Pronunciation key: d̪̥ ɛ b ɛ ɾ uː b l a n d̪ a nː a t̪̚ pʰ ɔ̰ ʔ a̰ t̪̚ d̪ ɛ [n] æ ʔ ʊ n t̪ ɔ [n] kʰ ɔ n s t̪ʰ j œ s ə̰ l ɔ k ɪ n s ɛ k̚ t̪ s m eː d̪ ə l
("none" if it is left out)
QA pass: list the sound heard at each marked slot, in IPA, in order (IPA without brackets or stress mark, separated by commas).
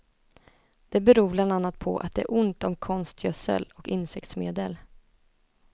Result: none, m